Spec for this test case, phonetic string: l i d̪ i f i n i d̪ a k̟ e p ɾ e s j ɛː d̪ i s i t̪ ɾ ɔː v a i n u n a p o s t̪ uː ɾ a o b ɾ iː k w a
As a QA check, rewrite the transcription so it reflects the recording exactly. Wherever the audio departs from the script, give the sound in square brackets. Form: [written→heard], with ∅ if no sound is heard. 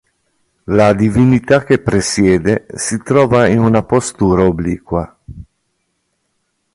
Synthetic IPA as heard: l [i→a] d̪ i [f→v] i n i [d̪→t̪] a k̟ e p ɾ e s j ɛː d̪ [i→e] s i t̪ ɾ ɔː v a i n u n a p o s t̪ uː ɾ a o b [ɾ→l] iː k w a